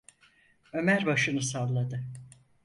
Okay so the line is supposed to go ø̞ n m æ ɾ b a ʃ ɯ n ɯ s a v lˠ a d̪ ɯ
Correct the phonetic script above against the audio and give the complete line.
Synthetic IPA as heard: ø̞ m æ ɾ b a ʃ ɯ n ɯ s a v lˠ a d̪ ɯ